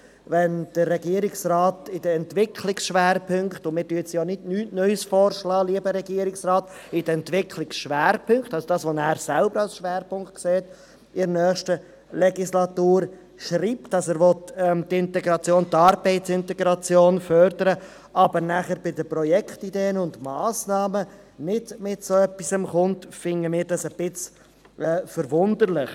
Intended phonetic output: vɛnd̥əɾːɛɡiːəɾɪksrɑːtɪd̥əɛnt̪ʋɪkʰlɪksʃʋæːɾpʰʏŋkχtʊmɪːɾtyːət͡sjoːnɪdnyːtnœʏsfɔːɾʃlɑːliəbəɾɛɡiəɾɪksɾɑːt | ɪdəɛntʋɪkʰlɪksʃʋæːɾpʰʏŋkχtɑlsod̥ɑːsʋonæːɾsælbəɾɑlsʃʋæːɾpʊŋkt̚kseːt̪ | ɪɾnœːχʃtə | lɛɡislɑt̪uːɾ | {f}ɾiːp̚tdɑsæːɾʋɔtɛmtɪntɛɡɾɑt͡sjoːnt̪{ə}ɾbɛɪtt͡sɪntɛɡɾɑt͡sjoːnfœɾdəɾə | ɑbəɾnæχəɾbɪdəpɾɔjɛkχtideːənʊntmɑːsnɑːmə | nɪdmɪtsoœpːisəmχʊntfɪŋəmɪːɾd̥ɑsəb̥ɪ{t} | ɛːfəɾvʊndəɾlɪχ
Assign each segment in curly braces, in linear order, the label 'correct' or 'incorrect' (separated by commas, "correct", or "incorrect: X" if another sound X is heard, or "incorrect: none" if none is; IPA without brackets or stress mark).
incorrect: ʃ, incorrect: ɑ, incorrect: t͡s